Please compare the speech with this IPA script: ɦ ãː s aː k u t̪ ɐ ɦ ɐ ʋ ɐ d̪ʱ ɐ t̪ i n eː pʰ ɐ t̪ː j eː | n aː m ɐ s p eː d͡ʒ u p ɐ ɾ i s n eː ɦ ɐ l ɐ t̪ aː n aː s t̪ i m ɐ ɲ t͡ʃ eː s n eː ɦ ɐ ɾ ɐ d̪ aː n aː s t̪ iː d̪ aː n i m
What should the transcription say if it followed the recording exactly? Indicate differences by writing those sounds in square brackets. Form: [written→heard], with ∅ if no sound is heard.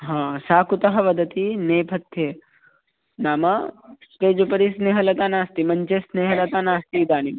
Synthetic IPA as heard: ɦ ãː s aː k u t̪ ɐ ɦ ɐ ʋ ɐ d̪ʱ ɐ t̪ i n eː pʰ ɐ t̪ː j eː | n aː m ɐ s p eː d͡ʒ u p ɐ ɾ i s n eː ɦ ɐ l ɐ t̪ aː n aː s t̪ i m ɐ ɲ t͡ʃ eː s n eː ɦ ɐ [ɾ→l] ɐ [d̪→t̪] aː n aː s t̪ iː d̪ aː n i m